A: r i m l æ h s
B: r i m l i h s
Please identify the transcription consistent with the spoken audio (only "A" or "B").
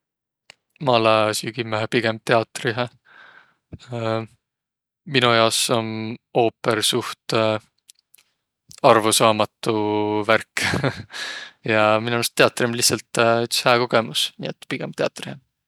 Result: B